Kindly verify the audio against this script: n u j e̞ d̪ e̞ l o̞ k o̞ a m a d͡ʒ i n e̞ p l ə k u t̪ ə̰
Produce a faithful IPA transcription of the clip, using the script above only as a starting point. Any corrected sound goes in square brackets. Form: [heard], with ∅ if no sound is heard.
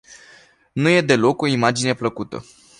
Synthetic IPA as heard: n u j e̞ d̪ e̞ l o̞ k o̞ [i] m a d͡ʒ i n e̞ p l ə k u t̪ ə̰